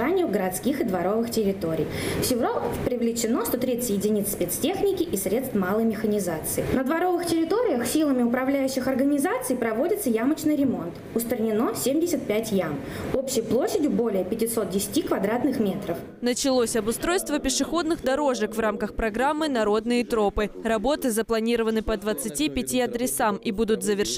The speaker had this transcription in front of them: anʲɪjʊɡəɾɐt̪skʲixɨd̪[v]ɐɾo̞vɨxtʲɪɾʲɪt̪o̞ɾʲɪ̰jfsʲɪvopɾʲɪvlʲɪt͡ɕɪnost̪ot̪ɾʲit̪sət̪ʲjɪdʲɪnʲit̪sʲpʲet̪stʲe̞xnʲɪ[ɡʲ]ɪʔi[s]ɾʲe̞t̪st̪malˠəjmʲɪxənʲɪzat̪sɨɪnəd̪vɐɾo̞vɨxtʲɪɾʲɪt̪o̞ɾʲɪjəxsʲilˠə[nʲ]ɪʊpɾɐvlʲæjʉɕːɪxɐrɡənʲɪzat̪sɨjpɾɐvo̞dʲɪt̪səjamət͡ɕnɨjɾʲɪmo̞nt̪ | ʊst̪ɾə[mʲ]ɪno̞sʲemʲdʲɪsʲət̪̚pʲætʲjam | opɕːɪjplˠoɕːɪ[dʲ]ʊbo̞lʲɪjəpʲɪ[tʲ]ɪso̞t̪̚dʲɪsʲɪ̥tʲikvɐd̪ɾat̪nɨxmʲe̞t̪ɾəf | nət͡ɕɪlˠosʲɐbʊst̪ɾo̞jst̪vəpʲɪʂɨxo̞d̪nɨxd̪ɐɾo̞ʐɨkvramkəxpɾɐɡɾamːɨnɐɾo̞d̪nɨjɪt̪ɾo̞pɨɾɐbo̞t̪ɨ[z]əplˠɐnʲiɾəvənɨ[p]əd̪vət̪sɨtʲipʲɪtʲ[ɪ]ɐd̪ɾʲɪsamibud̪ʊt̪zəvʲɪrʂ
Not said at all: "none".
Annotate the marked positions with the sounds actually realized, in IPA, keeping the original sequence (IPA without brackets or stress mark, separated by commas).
v, kʲ, s, mʲ, nʲ, dʲ, tʲ, z, p, i